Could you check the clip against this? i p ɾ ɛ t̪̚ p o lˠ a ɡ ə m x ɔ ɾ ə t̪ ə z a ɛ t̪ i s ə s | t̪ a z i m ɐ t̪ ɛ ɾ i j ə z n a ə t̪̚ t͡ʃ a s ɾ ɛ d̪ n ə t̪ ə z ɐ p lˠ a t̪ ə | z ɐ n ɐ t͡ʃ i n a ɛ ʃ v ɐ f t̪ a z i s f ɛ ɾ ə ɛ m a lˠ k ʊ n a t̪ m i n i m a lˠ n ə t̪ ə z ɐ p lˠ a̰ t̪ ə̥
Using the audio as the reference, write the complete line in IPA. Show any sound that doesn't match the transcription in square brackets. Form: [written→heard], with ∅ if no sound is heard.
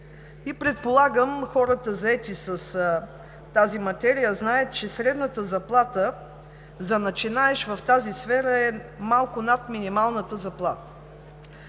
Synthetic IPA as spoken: i p ɾ ɛ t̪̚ p o lˠ a ɡ ə m x ɔ ɾ ə t̪ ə z [a→ɐ] ɛ t̪ i s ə s | t̪ a z i m ɐ t̪ ɛ ɾ i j ə z n a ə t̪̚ t͡ʃ [a→ɛ] s ɾ ɛ d̪ n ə t̪ ə z ɐ p lˠ a t̪ ə | z ɐ n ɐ t͡ʃ i n a ɛ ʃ v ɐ f t̪ a z i s f ɛ ɾ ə ɛ m a lˠ k ʊ n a t̪ m i n i m a lˠ n ə t̪ ə z ɐ p lˠ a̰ t̪ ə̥